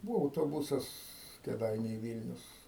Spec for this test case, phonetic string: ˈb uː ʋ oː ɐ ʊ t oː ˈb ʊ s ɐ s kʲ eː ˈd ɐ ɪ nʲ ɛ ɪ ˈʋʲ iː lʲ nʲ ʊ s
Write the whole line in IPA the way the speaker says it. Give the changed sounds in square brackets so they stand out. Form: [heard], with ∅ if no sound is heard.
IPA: ˈb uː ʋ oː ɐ ʊ t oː ˈb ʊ s ɐ s kʲ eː ˈd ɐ ɪ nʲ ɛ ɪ ˈʋʲ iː lʲ nʲ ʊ s